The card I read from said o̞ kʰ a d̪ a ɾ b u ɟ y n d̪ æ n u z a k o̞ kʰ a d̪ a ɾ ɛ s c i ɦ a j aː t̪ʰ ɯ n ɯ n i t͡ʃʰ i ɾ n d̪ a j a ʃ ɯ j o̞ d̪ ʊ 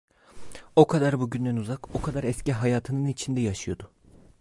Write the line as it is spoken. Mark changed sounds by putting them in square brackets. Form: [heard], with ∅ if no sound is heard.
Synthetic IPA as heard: o̞ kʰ a d̪ a ɾ b u ɟ y n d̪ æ n u z a k o̞ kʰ a d̪ a ɾ ɛ s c i ɦ a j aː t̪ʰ ɯ n ɯ n i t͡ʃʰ i [∅] n d̪ [ɛ] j a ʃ ɯ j o̞ d̪ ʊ